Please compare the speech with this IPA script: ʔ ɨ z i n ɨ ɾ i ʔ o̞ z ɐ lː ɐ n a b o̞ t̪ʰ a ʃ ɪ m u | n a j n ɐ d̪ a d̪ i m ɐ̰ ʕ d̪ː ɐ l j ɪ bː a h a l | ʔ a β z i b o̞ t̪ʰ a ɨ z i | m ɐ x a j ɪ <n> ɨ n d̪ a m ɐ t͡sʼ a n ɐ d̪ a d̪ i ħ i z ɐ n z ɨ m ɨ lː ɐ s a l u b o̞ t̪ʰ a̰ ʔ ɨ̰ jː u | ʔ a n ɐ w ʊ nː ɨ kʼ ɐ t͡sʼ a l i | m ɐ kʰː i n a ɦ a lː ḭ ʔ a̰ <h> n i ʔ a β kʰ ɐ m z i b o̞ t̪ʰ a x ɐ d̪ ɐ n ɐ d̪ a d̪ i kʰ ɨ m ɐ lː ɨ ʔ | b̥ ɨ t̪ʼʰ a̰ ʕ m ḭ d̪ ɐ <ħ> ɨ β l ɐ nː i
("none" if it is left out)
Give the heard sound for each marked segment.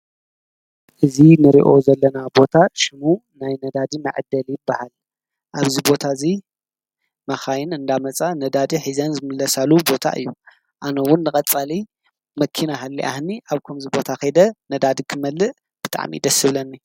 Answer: n, h, s

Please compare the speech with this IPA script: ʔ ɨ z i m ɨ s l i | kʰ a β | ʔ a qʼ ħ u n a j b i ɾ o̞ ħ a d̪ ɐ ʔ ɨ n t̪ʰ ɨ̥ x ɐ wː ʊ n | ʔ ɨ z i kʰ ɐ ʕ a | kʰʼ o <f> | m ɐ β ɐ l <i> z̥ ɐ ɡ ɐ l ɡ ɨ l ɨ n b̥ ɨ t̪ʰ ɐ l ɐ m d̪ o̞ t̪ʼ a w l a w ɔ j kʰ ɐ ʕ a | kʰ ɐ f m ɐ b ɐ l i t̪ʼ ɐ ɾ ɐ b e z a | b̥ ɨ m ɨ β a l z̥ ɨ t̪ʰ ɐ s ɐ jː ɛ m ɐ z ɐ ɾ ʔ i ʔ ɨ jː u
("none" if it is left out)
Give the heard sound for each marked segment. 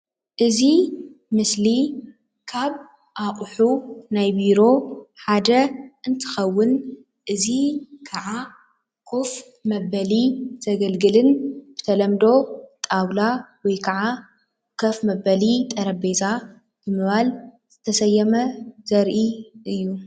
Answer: f, i

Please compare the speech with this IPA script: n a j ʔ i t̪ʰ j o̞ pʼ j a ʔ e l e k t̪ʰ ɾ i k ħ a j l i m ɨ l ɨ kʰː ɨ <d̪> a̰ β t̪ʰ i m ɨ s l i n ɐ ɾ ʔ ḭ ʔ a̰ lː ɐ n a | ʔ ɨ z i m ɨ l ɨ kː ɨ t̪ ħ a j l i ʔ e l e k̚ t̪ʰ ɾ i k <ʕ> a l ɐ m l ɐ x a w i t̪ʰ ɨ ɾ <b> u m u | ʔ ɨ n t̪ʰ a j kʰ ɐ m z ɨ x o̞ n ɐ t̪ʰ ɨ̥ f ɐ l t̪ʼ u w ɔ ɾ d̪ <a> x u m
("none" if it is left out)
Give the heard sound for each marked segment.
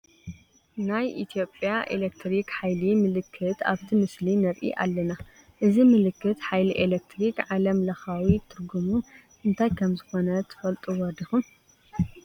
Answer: t̪, ʕ, ɡ, i

